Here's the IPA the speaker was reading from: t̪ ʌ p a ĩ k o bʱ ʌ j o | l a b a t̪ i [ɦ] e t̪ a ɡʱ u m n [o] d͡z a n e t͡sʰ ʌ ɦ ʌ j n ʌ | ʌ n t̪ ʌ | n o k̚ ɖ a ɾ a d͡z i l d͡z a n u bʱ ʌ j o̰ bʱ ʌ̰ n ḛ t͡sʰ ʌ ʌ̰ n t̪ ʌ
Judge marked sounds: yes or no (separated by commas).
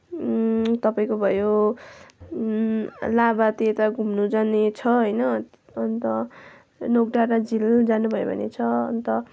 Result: no, no